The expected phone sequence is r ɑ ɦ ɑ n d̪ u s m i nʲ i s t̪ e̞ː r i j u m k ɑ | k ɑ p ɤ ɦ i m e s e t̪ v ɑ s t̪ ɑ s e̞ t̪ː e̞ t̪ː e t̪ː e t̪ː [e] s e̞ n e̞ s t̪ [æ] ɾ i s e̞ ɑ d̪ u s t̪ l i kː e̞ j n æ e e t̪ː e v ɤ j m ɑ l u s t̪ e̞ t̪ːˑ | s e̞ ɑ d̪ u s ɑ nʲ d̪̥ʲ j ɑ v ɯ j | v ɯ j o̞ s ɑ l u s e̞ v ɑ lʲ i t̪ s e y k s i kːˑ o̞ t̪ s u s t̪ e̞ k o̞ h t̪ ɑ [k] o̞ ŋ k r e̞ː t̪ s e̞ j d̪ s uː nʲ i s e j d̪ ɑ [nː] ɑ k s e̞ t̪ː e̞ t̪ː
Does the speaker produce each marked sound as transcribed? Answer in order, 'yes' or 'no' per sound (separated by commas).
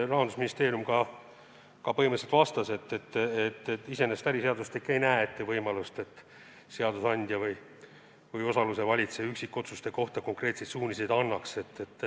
no, yes, yes, yes